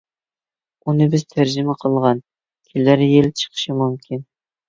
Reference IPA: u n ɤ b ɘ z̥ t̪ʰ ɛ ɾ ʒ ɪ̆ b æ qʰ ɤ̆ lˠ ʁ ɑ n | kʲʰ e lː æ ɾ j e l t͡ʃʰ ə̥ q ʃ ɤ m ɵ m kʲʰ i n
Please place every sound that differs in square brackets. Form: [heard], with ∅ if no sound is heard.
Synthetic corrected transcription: u n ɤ b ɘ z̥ t̪ʰ [æ] ɾ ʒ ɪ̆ [m] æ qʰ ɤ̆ lˠ ʁ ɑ n | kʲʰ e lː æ ɾ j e l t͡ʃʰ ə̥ q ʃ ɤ m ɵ m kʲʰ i n